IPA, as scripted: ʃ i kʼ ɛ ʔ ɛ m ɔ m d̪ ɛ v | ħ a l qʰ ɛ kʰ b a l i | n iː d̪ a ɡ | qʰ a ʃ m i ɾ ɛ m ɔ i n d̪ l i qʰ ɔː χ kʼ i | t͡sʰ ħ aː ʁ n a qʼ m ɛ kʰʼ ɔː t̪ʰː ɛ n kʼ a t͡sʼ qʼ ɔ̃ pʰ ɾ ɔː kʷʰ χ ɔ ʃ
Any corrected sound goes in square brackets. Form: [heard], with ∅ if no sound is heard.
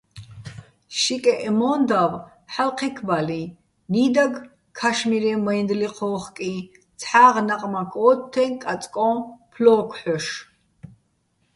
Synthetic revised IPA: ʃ i kʼ ɛ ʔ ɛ m ɔ [n] d̪ [a] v | ħ a l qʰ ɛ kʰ b a l i | n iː d̪ a ɡ | [kʰ] a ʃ m i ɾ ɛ m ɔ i n d̪ l i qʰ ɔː χ kʼ i | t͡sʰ ħ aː ʁ n a qʼ m [a] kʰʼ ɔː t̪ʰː ɛ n kʼ a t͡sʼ [kʼ] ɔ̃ pʰ [l] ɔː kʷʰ [ħ] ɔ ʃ